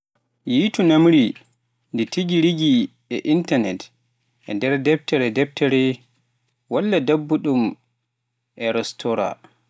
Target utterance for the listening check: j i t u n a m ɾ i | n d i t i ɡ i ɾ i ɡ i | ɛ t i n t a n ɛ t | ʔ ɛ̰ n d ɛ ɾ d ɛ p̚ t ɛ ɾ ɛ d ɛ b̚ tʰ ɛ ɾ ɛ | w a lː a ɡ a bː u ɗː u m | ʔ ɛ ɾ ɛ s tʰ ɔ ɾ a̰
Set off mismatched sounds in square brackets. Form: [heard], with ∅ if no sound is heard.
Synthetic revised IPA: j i t u n a m ɾ i | n d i t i ɡ i ɾ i ɡ i | ɛ [ʔ] i n t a n ɛ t | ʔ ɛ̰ n d ɛ ɾ d ɛ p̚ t ɛ ɾ ɛ d ɛ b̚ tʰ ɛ ɾ ɛ | w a lː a [d] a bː u [ɗ] u m | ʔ ɛ ɾ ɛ s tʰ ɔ ɾ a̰